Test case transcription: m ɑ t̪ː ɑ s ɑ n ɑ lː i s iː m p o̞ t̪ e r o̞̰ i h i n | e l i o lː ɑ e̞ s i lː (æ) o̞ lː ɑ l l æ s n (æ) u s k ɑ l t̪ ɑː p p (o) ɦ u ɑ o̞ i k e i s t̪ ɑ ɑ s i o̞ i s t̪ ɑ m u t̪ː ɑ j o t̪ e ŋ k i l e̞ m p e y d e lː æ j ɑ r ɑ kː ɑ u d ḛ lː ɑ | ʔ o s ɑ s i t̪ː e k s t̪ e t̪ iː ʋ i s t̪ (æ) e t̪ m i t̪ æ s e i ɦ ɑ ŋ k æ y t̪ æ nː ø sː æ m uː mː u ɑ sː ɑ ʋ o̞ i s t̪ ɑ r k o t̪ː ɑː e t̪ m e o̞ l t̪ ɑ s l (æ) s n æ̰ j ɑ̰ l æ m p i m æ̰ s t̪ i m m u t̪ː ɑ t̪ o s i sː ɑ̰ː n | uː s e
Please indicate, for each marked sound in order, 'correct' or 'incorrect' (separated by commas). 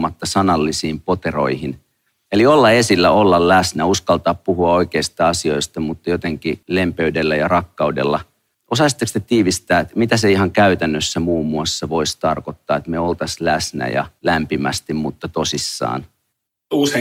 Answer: correct, correct, incorrect, incorrect, correct